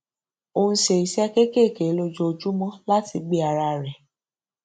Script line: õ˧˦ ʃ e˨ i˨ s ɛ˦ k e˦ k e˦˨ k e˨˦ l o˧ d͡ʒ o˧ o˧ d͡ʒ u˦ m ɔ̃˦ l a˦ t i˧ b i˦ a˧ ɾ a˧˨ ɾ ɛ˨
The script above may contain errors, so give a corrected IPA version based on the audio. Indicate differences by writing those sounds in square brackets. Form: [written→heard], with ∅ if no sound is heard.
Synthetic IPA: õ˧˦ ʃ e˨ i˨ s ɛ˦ k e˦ k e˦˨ k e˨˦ l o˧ d͡ʒ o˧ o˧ d͡ʒ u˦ m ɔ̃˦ l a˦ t i˧ [b→ɡ͡b] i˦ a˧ ɾ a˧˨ ɾ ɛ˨